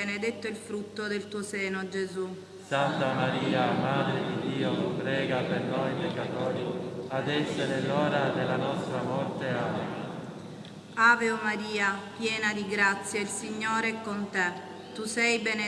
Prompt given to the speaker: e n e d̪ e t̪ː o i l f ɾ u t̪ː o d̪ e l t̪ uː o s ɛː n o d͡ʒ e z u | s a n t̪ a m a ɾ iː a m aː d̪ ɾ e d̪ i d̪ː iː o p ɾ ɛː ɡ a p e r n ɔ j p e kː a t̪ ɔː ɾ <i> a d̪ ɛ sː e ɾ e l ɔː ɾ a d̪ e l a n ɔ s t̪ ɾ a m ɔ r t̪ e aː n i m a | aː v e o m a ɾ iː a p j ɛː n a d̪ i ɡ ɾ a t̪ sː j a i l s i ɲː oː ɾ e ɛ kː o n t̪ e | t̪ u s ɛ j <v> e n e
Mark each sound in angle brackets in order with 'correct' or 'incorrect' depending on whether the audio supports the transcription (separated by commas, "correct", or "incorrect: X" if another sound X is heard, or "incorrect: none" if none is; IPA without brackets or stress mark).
correct, incorrect: b